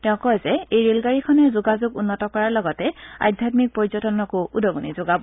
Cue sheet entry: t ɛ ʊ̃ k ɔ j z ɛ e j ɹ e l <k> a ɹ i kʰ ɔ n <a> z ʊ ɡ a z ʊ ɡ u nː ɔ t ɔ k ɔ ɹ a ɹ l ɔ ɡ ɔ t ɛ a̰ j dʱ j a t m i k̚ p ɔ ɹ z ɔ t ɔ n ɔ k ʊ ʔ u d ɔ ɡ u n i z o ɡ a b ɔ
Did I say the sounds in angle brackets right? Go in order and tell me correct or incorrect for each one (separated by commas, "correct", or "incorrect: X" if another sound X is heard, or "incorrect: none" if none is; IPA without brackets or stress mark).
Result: incorrect: ɡ, incorrect: ɛ